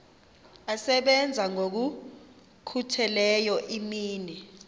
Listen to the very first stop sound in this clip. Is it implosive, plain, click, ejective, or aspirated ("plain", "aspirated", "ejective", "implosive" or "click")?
implosive